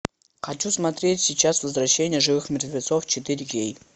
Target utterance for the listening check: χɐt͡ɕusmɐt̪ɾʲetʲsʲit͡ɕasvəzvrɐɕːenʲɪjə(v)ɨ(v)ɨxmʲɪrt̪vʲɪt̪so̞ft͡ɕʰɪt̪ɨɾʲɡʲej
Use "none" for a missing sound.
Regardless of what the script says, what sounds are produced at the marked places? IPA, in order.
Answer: ʐ, v

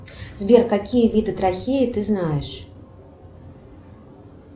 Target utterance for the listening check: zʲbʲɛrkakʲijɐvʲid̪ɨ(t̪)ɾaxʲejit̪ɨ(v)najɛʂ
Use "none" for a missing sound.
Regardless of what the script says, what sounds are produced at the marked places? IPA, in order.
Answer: t̪, z

